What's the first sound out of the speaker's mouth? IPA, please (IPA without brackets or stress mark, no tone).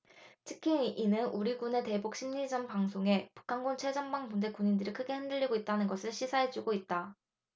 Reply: tʰ